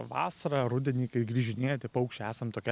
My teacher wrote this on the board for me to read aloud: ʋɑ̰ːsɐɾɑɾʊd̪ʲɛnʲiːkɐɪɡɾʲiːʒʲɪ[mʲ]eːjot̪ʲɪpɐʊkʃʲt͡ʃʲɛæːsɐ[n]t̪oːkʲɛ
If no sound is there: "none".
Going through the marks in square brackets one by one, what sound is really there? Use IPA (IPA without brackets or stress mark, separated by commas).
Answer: nʲ, m